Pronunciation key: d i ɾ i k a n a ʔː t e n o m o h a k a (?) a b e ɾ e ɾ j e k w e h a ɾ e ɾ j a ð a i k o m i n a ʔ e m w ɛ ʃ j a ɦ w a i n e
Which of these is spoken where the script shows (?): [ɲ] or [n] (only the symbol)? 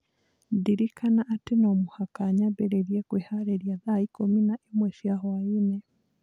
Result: ɲ